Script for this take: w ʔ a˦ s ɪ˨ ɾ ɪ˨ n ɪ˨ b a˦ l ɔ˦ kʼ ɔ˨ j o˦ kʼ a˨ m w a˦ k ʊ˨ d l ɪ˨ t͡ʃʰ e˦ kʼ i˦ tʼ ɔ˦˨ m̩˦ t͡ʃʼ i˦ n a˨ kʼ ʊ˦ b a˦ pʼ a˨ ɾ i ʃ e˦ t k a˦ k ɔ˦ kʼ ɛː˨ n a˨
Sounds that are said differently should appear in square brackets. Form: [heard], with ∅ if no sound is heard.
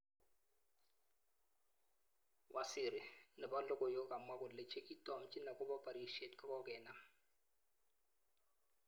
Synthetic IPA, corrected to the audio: w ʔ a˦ s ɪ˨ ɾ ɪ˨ n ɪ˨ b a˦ l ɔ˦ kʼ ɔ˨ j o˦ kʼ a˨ m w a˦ k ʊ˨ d l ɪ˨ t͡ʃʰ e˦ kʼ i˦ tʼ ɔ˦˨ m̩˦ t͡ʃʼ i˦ n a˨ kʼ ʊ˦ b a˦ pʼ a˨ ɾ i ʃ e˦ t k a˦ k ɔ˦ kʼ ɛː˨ n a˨